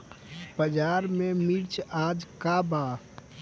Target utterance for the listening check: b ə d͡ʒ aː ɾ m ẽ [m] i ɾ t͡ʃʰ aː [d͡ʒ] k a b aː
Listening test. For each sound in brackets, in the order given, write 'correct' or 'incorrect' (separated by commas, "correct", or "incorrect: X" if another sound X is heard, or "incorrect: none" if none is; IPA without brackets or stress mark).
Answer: correct, correct